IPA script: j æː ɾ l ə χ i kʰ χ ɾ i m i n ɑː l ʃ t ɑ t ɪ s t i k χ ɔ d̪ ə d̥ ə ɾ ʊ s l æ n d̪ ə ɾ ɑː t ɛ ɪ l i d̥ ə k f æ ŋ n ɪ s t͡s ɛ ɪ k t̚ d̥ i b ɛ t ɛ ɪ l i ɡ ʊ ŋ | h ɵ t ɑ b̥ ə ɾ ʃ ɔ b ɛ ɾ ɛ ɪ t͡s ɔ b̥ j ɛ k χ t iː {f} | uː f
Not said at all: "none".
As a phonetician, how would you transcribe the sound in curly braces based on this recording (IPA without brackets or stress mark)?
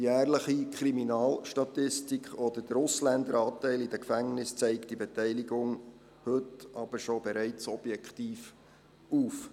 f